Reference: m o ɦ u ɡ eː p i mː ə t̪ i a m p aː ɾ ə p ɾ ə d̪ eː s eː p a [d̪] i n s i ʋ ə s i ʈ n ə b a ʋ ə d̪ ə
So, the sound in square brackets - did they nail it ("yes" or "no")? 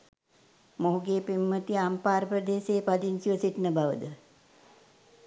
yes